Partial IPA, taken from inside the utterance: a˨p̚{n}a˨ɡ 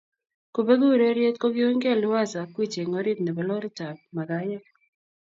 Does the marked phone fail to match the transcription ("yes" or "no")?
yes